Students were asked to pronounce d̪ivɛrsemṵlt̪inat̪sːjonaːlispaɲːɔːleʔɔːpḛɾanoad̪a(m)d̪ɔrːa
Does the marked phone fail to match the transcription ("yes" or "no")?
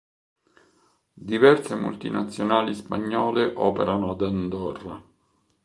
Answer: yes